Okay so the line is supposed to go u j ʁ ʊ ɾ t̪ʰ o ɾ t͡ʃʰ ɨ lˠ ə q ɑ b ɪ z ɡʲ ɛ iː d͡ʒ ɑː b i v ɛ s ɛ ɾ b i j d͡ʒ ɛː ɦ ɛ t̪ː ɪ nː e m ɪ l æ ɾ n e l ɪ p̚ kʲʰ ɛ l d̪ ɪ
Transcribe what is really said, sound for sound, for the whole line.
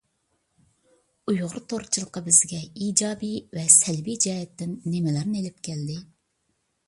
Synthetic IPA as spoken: u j ʁ ʊ ɾ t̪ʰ o ɾ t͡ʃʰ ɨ lˠ ə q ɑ b ɪ z ɡʲ ɛ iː d͡ʒ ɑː b i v ɛ s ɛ l b i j d͡ʒ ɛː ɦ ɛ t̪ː ɪ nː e m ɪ l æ ɾ n e l ɪ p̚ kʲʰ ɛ l d̪ ɪ